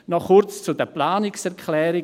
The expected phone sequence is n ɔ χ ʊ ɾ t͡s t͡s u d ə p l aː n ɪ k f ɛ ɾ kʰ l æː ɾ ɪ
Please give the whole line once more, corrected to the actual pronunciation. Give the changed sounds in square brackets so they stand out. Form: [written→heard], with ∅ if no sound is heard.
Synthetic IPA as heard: n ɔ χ ʊ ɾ t͡s t͡s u d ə p l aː n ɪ k [f→s] ɛ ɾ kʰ l [æː→ɛː] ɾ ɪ